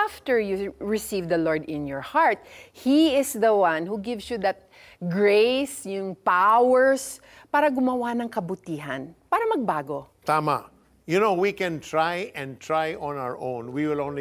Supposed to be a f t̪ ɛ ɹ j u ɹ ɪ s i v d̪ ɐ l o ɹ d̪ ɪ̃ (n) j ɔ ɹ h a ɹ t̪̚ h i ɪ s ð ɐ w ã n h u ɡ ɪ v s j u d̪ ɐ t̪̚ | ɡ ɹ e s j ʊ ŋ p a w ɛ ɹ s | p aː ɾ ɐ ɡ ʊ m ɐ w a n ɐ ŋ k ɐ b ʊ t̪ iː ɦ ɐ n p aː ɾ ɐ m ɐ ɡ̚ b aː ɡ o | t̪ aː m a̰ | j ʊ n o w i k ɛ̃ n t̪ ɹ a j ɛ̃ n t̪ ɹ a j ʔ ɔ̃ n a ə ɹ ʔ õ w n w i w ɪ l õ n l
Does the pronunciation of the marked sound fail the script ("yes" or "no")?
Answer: no